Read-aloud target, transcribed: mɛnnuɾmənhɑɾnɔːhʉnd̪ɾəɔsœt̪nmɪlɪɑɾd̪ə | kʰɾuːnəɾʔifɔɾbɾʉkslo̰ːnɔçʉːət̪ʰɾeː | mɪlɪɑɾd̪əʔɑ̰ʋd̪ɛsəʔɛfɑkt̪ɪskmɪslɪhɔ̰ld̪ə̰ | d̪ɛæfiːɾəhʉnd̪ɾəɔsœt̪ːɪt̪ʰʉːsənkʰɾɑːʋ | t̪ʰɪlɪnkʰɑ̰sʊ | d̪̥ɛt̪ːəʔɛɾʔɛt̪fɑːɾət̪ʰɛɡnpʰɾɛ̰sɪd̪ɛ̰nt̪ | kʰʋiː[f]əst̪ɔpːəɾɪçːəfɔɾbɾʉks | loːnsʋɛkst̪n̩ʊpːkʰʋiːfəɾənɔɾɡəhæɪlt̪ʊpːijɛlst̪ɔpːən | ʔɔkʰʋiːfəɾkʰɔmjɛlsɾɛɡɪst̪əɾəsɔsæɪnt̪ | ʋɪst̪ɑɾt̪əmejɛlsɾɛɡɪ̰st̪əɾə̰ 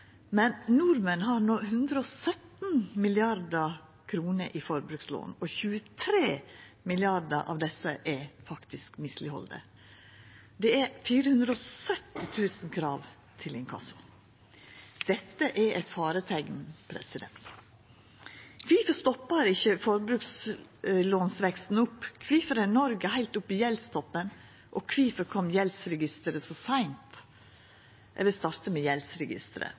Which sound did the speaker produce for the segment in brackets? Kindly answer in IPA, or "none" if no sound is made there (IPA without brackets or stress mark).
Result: f